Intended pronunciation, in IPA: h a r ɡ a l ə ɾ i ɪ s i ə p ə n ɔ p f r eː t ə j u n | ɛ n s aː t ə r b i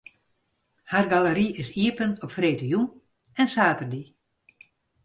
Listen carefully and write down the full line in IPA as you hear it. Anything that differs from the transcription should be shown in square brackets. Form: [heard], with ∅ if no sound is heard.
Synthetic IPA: h a r ɡ a l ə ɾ i ɪ s i ə p ə n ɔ p f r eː t ə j u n | ɛ n s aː t ə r [d] i